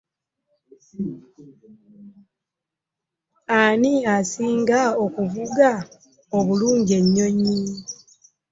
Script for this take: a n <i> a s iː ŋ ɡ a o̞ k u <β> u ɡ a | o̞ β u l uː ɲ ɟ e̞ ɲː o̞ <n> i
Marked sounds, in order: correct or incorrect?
correct, incorrect, incorrect

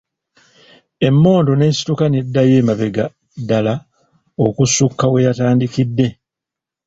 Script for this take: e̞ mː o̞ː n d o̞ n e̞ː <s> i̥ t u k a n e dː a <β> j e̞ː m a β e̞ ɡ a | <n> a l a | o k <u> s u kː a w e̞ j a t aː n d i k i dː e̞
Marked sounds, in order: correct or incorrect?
correct, incorrect, incorrect, correct

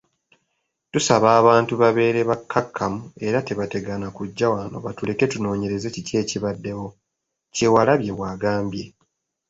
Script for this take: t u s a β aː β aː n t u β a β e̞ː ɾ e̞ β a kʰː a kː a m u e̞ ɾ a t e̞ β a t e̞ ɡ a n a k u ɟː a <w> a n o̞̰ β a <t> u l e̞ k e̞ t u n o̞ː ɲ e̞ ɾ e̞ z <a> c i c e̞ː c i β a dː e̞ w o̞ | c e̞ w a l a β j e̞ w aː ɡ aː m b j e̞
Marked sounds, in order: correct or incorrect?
correct, correct, incorrect

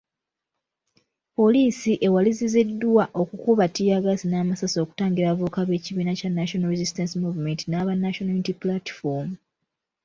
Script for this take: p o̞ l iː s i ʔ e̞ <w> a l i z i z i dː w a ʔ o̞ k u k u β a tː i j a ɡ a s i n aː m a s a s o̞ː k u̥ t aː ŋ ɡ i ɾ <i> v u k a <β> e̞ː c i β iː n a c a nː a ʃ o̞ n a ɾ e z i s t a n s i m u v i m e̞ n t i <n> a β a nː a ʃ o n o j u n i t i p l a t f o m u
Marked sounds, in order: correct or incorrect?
correct, incorrect, correct, correct

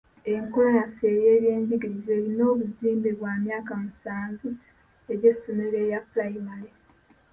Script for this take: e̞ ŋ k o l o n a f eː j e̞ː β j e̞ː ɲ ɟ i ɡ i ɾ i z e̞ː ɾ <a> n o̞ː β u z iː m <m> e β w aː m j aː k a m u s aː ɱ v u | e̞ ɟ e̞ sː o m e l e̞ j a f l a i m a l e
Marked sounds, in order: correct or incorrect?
incorrect, incorrect

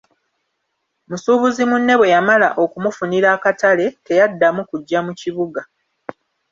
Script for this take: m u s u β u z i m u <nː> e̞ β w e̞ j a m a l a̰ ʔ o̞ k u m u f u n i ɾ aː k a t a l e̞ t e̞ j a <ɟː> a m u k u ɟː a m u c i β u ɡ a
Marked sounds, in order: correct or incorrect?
correct, incorrect

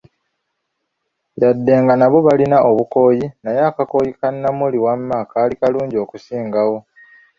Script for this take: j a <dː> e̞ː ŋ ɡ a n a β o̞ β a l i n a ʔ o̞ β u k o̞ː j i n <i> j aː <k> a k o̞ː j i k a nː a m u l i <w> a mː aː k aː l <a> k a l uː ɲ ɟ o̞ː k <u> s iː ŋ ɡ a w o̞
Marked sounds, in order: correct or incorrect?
correct, incorrect, correct, correct, incorrect, correct

